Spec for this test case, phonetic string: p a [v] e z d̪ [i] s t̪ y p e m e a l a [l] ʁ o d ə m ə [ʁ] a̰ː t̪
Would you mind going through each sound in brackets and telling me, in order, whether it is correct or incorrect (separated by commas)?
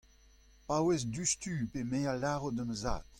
incorrect, incorrect, incorrect, incorrect